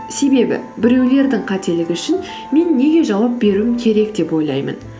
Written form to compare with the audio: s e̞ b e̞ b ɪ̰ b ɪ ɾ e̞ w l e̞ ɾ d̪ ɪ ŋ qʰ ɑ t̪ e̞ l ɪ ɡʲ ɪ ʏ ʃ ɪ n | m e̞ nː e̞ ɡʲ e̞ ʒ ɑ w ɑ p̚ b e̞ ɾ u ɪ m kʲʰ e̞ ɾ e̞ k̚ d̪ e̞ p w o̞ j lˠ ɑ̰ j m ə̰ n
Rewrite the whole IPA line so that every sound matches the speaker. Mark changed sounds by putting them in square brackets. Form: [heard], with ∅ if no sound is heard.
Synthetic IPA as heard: s e̞ b e̞ b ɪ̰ b ɪ ɾ e̞ w l e̞ ɾ d̪ ɪ ŋ qʰ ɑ t̪ e̞ l ɪ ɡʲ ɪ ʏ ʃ ɪ n | m e̞ nː e̞ ɡʲ e̞ ʒ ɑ w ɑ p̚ b e̞ ɾ u ɪ m kʲʰ e̞ ɾ e̞ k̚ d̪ e̞ p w o̞ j lˠ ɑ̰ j m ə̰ n